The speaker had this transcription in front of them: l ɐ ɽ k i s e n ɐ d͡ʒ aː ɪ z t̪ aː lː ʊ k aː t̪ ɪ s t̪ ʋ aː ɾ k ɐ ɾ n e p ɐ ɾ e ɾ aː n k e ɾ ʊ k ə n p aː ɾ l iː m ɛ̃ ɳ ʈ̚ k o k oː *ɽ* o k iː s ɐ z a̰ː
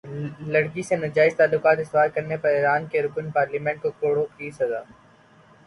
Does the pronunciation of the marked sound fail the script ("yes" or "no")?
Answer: no